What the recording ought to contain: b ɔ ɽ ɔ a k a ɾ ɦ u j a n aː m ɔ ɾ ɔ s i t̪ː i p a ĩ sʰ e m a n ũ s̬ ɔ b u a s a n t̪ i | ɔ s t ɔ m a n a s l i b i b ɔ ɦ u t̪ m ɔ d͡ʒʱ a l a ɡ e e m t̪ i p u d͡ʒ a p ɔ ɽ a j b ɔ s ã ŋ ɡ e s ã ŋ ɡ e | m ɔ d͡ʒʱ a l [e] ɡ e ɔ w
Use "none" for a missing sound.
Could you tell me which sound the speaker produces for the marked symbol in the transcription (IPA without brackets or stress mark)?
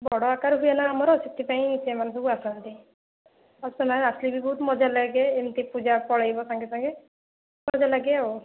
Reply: a